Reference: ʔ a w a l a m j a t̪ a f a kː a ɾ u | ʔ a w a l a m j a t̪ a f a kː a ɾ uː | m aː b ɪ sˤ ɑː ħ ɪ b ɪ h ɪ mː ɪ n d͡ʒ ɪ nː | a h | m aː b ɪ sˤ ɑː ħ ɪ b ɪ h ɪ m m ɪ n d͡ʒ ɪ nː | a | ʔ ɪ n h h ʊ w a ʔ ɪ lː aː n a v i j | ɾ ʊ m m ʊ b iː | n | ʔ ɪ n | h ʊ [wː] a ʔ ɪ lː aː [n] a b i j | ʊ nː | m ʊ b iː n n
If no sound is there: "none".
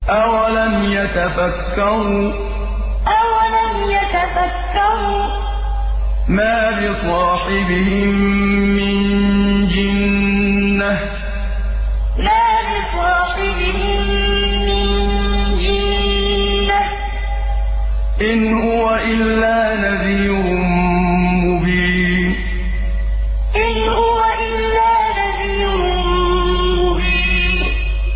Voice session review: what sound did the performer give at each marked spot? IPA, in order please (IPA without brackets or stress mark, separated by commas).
w, n